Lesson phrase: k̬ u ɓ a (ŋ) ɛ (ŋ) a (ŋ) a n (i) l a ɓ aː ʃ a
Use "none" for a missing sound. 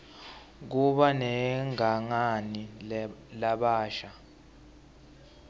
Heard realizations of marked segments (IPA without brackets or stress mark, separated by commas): n, ŋ, ŋ, i